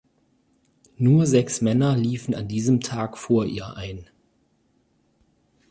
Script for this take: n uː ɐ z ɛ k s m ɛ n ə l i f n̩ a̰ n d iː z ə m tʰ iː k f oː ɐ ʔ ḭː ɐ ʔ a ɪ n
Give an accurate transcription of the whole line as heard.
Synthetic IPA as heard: n uː ɐ z ɛ k s m ɛ n ɐ l iː f n̩ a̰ n d iː z ə m tʰ aː k f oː ɐ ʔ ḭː ɐ ʔ a ɪ n